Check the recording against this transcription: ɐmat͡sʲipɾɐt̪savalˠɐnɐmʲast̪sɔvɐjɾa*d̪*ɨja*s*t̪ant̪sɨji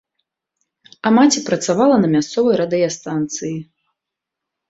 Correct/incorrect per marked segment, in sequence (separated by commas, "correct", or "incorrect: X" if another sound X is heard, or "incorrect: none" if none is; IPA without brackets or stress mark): correct, correct